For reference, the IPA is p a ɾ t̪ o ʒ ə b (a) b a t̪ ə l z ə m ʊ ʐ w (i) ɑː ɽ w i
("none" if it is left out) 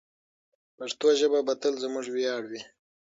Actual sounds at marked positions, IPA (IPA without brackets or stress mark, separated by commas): a, j